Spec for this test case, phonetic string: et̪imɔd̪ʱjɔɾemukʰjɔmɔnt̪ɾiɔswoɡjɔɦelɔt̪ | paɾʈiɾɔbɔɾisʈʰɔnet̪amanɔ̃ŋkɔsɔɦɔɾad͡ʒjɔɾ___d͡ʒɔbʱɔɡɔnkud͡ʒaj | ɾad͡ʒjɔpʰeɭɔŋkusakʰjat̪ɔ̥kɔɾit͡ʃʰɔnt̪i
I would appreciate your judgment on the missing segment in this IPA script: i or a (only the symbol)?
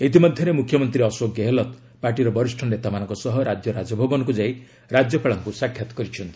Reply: a